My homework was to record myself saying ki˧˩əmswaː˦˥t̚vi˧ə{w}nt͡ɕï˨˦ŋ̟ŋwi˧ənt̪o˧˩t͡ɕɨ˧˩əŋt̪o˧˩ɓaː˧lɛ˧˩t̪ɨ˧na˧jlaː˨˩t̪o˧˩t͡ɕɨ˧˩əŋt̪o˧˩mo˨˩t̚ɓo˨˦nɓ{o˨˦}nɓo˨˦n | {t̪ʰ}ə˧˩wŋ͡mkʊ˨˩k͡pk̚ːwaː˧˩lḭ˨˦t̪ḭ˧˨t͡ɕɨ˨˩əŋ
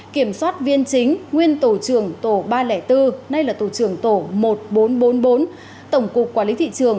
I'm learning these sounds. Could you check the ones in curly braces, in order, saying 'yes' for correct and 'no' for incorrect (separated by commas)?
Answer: no, yes, no